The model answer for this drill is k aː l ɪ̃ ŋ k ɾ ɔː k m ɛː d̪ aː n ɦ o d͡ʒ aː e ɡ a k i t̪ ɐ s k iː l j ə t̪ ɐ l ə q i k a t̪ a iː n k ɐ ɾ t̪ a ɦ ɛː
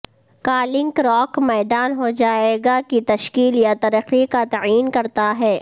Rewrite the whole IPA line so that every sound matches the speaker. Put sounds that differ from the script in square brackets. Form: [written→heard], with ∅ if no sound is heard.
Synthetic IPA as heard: k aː l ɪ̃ ŋ k ɾ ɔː k m ɛː d̪ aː n ɦ o d͡ʒ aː e ɡ a k i t̪ ɐ [s→ʃ] k iː l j [ə→a] t̪ ɐ [l→ɾ] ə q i k a t̪ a iː n k ɐ ɾ t̪ a ɦ ɛː